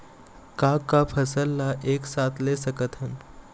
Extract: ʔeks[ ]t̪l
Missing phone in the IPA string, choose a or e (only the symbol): a